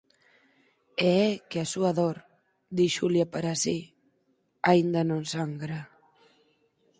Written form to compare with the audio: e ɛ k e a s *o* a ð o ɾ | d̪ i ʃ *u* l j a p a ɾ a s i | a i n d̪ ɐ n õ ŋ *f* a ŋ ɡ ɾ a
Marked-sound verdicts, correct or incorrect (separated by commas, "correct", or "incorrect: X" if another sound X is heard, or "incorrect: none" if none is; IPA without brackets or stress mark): incorrect: u, correct, incorrect: s